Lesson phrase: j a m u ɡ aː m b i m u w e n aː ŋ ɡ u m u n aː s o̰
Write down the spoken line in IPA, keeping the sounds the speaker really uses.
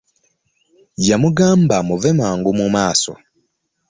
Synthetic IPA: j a m u ɡ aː m b a m u v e m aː ŋ ɡ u m u m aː s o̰